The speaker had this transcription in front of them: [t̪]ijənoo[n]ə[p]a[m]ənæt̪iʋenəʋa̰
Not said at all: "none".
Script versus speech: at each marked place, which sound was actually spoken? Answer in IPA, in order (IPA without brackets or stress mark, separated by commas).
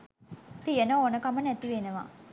t̪, n, k, m